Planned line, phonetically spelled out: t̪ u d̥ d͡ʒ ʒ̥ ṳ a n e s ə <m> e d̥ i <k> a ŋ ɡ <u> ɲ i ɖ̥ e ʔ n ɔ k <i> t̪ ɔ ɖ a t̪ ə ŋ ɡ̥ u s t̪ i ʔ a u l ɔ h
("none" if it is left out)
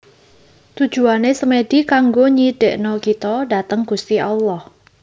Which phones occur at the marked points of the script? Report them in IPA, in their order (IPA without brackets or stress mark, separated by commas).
m, k, o, i